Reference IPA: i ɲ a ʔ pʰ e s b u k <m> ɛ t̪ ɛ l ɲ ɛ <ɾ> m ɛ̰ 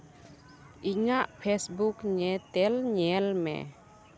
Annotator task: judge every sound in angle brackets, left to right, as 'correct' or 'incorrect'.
incorrect, incorrect

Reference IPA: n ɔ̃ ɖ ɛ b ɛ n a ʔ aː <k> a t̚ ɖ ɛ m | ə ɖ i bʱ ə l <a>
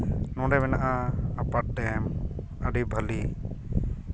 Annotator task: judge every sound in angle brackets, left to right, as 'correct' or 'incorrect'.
incorrect, incorrect

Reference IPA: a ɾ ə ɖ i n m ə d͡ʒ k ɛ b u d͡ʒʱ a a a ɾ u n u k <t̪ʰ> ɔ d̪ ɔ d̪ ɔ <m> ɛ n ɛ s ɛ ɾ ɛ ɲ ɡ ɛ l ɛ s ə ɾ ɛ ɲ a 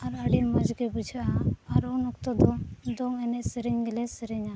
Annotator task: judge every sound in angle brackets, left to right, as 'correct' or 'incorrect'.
incorrect, incorrect

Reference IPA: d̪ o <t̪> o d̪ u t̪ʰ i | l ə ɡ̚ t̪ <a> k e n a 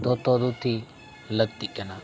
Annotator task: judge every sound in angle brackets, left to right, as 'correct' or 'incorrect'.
correct, incorrect

